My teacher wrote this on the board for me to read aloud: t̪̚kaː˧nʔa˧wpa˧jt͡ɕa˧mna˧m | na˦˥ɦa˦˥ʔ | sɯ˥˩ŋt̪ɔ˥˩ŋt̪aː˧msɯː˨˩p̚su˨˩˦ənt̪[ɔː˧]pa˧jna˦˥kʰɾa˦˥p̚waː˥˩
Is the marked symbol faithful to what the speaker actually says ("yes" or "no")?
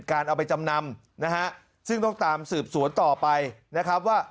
no